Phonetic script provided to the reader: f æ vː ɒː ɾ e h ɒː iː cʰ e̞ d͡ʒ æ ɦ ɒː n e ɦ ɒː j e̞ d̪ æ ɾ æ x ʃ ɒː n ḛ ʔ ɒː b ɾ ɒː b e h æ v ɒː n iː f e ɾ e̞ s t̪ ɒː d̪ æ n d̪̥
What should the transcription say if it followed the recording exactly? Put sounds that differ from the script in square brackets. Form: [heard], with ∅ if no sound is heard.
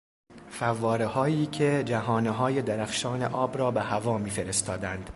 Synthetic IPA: f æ vː ɒː ɾ e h ɒː iː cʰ e̞ d͡ʒ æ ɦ ɒː n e ɦ ɒː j e̞ d̪ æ ɾ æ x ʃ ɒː n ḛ ʔ ɒː b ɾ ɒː b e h æ v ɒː [m] iː f e ɾ e̞ s t̪ ɒː d̪ æ n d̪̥